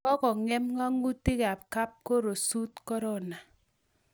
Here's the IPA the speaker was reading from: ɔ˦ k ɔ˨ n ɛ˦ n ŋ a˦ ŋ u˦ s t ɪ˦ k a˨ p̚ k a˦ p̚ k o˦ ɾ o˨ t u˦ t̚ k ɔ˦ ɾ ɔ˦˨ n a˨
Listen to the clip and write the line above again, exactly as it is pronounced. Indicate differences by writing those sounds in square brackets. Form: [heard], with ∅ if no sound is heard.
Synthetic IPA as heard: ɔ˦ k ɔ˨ [ŋ] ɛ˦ [m] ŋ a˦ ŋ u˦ [∅] t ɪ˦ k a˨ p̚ k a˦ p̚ k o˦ ɾ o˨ [s] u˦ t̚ k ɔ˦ ɾ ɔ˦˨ n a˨